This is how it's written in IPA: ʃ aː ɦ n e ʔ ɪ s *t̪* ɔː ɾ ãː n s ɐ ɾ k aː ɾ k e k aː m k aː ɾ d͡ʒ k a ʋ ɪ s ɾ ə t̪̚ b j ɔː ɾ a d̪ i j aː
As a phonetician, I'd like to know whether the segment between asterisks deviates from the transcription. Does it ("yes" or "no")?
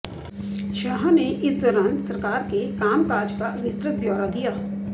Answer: yes